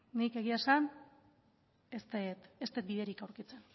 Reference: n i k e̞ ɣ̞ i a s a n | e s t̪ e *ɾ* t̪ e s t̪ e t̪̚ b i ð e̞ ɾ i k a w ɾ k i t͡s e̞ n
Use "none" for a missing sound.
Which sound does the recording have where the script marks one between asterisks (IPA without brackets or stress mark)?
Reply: none